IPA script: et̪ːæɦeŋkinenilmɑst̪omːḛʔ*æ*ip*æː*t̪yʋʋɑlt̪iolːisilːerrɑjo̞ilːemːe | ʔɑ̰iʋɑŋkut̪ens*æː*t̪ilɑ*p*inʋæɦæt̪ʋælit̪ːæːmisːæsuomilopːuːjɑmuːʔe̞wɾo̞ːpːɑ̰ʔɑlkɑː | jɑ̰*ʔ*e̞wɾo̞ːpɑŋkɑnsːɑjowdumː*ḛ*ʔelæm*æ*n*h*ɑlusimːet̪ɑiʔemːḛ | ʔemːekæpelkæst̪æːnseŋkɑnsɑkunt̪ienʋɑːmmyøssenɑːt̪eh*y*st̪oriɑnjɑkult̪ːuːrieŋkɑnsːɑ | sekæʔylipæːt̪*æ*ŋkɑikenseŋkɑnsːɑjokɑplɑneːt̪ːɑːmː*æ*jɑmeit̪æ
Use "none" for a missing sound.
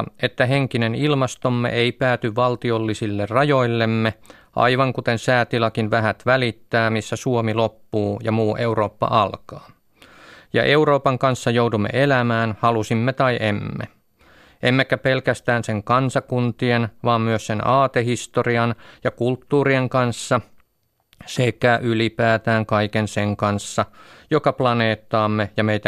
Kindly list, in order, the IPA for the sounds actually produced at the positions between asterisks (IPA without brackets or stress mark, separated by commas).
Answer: e, æː, æː, k, ʔ, ḛ, æː, h, i, æː, e